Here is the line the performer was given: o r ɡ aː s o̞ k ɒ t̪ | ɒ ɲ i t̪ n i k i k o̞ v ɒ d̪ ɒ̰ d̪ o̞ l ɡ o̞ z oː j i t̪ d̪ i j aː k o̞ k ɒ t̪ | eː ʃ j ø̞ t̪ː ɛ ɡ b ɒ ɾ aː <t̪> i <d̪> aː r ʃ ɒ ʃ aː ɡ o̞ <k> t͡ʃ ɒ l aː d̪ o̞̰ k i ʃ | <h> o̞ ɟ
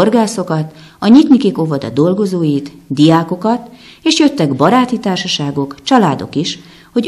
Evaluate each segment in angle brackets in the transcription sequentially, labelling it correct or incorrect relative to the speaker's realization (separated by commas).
correct, incorrect, correct, correct